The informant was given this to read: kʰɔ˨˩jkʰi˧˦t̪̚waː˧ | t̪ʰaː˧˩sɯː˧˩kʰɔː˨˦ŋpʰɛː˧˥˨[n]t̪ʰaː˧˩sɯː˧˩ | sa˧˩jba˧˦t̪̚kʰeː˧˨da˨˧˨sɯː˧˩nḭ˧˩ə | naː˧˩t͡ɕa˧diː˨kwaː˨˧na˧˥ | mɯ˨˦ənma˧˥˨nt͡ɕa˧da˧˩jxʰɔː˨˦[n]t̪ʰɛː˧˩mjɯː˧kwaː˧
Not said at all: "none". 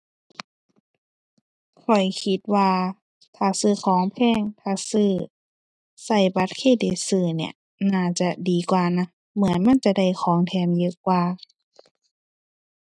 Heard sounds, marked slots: ŋ, ŋ

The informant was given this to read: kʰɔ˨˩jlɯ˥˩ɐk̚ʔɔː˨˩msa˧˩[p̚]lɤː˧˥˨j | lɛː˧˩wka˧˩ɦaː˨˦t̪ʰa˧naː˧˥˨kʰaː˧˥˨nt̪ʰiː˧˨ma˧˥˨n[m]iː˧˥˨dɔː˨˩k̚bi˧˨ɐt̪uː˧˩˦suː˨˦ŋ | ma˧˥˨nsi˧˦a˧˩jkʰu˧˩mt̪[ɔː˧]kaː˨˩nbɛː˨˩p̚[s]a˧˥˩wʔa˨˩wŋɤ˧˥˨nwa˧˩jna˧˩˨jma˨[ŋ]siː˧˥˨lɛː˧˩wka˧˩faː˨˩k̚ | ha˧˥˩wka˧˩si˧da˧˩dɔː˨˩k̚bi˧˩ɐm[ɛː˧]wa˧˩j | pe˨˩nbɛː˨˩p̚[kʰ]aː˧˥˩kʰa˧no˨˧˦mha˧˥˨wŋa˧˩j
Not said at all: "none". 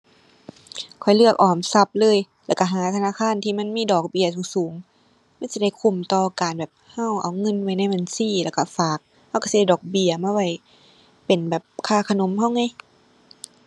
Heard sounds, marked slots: p̚, m, ɔː˧, h, n, aː˧, kʰ

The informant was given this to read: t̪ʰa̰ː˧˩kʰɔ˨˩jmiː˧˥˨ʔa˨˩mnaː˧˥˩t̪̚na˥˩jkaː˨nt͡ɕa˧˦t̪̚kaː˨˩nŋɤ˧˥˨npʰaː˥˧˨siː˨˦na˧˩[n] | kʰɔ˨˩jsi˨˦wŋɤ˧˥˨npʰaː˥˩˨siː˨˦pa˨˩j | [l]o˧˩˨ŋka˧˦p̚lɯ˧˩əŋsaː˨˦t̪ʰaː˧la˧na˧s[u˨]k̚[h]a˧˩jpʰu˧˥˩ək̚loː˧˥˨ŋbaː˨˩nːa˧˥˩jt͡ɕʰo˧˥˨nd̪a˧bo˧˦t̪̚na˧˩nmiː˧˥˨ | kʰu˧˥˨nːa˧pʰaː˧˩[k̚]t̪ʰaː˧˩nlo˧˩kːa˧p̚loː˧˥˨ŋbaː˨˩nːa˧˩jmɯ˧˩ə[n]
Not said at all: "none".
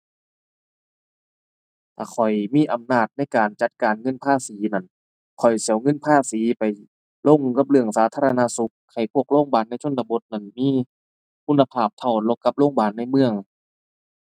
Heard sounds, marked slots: n, l, u˧˦, h, p̚, ŋ

